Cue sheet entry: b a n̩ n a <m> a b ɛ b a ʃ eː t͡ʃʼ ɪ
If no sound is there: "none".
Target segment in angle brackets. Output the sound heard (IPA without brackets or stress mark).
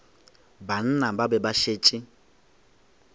b